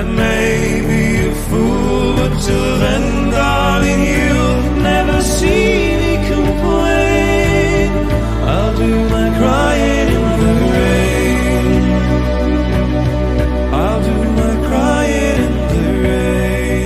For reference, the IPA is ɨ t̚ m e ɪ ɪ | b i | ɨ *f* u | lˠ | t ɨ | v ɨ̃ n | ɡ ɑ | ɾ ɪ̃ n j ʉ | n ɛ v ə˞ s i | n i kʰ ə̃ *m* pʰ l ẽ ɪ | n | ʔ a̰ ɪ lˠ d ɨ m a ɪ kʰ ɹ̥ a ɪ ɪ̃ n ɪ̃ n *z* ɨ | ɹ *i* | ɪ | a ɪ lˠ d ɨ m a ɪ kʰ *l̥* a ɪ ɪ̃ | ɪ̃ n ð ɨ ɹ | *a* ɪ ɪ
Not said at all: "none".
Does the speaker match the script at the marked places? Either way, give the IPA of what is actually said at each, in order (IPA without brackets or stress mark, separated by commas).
f, m, ð, e, ɹ̥, e